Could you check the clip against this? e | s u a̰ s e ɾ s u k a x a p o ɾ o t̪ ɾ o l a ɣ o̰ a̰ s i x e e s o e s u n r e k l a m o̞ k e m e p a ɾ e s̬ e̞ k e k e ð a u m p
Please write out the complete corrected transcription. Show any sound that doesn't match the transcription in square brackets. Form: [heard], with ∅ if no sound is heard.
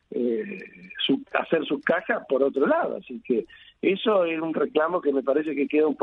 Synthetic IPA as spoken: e | s u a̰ s e ɾ s u k a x a p o ɾ o t̪ ɾ o l a [ð] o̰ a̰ s i [k] e e s o e s u n r e k l a m o̞ k e m e p a ɾ e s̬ e̞ k e k e ð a u m p